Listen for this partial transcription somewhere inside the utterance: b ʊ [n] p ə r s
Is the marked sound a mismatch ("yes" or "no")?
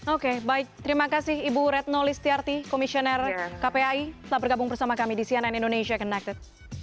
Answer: yes